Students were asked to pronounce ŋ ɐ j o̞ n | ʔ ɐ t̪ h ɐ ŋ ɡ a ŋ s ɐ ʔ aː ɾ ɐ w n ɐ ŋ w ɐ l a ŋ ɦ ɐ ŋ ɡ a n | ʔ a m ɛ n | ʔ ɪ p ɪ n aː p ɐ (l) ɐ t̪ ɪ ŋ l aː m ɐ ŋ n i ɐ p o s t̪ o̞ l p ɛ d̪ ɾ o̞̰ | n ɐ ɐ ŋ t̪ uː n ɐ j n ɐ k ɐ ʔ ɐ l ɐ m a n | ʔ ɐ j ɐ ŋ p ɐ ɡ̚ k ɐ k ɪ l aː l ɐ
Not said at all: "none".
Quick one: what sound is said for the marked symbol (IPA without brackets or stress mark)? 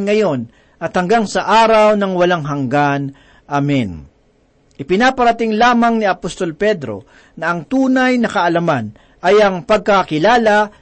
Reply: ɾ